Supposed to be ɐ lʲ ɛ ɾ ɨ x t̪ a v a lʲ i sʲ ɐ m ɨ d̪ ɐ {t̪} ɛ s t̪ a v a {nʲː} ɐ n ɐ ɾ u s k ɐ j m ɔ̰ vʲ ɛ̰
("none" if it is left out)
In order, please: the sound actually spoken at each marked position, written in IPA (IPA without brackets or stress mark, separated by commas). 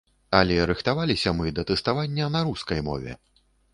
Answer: t̪, nʲː